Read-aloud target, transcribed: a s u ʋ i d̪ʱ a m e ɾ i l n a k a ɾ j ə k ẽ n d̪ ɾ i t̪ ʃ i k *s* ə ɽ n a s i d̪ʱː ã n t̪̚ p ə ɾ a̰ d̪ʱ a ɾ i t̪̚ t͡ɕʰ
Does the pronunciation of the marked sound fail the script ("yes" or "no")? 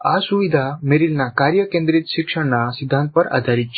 yes